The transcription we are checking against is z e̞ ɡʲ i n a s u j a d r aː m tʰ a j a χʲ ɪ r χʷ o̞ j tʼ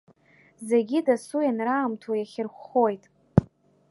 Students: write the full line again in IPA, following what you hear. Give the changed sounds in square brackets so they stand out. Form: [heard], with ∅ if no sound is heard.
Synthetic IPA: z e̞ ɡʲ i [d] a s u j a [n] r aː m tʰ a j a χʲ ɪ r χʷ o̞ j tʼ